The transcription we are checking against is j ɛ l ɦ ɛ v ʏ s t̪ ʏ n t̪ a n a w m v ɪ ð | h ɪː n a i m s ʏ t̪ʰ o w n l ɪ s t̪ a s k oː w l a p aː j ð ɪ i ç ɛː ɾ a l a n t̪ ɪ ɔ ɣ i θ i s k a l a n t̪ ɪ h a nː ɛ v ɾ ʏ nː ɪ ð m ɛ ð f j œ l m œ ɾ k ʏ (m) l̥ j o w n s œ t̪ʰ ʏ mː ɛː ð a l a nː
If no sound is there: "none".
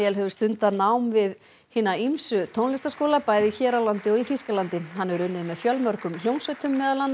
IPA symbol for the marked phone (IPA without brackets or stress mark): m